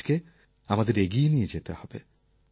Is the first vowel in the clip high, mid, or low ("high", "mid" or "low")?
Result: mid